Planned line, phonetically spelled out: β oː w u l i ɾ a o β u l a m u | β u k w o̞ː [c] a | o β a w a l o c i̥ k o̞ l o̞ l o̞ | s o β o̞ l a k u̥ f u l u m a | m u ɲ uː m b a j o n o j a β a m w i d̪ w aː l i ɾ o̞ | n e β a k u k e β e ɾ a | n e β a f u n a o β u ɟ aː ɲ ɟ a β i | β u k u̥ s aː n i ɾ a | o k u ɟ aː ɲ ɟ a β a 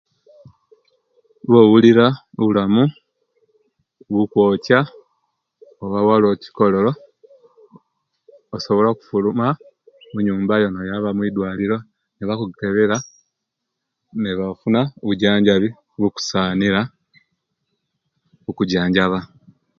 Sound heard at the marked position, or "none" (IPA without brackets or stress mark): c